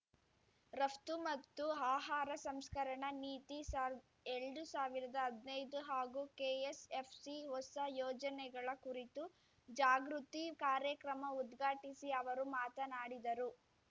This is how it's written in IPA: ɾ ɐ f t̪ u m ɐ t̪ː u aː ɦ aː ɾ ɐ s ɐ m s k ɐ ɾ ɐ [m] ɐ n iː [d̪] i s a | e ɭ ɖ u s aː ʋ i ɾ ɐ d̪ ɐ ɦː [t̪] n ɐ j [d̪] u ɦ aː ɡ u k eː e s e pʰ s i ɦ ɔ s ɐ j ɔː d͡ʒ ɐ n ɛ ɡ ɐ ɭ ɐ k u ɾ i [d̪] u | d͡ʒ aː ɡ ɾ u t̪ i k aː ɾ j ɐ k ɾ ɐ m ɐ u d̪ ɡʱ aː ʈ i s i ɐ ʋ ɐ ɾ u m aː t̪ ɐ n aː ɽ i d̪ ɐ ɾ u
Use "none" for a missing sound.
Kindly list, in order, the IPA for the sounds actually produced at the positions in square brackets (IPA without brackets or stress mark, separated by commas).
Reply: ɳ, t̪, d̪, d̪, t̪